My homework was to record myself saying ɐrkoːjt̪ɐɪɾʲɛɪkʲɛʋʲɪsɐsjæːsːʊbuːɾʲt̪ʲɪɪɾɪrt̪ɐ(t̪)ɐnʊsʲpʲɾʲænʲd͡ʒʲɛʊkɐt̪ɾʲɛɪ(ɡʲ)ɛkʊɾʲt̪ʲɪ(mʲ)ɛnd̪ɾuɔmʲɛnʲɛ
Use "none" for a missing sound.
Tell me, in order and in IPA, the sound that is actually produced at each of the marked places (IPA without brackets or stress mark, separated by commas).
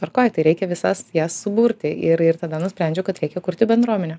d̪, kʲ, bʲ